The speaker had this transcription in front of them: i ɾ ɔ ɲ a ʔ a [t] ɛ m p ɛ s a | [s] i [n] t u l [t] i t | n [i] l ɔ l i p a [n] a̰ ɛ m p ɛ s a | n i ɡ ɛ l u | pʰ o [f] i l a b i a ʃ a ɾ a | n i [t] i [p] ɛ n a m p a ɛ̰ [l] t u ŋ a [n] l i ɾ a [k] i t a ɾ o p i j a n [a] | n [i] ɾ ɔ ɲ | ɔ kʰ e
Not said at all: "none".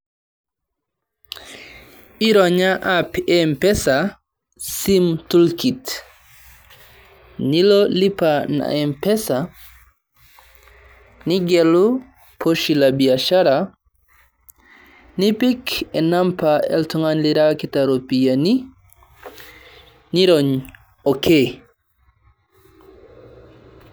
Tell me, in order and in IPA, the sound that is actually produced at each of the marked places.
p, s, m, k, i, n, ʃ, p, k, l, n, k, i, i

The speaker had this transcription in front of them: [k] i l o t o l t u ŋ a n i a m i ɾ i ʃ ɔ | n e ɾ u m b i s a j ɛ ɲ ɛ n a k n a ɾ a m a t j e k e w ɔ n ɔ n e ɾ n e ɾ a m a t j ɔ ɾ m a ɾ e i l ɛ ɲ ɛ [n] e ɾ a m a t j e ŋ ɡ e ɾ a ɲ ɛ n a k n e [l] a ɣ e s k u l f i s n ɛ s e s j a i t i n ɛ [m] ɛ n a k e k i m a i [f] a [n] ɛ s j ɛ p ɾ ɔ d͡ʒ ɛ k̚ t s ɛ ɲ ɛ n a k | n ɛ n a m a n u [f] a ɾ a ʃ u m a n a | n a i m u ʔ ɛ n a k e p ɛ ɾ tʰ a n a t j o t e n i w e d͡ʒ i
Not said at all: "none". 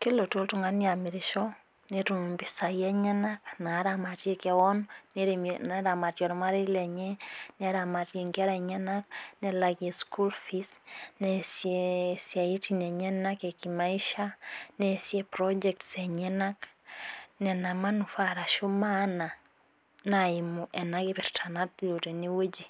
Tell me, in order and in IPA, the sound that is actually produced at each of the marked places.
k, n, l, ɲ, ʃ, n, f

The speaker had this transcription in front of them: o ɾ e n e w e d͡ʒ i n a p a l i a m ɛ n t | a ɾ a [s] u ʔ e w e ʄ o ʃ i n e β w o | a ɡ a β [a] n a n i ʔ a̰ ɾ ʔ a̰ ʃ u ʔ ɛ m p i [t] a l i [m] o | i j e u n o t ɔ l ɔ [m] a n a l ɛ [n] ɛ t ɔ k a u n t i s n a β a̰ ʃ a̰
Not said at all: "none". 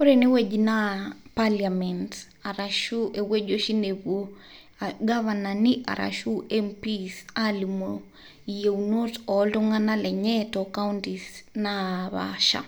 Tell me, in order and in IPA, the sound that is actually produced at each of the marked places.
ʃ, a, s, m, ŋ, ɲ

